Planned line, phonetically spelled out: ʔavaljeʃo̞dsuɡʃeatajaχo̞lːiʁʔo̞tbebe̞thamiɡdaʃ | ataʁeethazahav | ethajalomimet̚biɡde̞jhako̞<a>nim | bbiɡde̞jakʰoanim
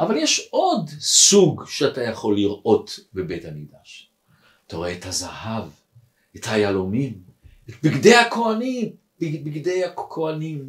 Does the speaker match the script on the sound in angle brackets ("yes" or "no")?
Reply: yes